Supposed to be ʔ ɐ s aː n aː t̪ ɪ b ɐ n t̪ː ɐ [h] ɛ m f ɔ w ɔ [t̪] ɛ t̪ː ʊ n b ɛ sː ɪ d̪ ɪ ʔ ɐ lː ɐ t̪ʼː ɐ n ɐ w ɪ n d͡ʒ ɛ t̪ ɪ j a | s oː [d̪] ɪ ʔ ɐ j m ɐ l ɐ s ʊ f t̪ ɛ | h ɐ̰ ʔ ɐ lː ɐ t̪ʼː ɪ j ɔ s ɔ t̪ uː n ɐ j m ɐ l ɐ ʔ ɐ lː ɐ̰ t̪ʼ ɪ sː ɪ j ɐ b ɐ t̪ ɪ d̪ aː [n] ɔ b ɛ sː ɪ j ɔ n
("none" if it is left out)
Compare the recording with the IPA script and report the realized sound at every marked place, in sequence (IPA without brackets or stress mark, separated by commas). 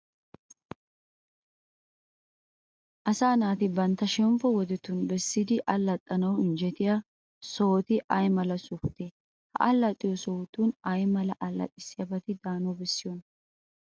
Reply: ʃ, d̪, t̪, n